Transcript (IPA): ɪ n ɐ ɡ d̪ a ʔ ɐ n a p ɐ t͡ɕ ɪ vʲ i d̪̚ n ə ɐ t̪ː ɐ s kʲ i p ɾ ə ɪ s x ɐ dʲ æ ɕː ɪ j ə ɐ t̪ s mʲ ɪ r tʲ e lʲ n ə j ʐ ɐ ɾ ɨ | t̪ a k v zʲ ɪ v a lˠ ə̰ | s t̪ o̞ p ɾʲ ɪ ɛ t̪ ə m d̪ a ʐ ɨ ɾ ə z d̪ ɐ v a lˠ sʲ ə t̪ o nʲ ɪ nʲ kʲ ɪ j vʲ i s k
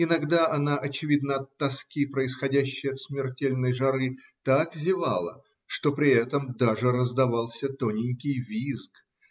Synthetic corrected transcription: ɪ n ɐ ɡ d̪ a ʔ ɐ n a ʔ ɐ t͡ɕ ɪ vʲ i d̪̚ n ə ɐ t̪ː ɐ s kʲ i p ɾ ə ɪ s x ɐ dʲ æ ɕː ɪ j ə ɐ t̪ s mʲ ɪ r tʲ e lʲ n ə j ʐ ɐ ɾ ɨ | t̪ a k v zʲ ɪ v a lˠ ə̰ | ʂ t̪ o̞ p ɾʲ ɪ ɛ t̪ ə m d̪ a ʐ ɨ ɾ ə z d̪ ɐ v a lˠ sʲ ə t̪ o nʲ ɪ nʲ kʲ ɪ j vʲ i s k